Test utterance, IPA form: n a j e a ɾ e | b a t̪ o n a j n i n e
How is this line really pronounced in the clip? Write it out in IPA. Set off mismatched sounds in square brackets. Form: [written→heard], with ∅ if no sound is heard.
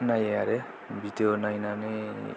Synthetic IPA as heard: n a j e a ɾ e | b [a→i] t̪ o n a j n [i→a] n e